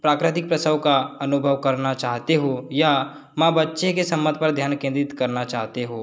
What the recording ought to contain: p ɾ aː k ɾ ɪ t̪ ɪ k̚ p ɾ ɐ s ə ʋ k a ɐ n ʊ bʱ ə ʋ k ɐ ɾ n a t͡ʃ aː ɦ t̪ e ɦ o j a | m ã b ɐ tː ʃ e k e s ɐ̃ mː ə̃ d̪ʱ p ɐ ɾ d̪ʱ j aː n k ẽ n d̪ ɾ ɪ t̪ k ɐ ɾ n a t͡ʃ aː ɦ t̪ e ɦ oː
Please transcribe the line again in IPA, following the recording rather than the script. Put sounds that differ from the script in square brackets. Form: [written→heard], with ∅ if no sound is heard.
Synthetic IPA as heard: p ɾ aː k ɾ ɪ t̪ ɪ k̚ p ɾ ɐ s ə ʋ k a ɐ n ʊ bʱ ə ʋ k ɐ ɾ n a t͡ʃ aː ɦ t̪ e ɦ o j a | m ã b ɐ tː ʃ e k e s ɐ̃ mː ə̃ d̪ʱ p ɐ ɾ d̪ʱ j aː n k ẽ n d̪ ɾ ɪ t̪ k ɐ ɾ n a t͡ʃ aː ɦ t̪ e ɦ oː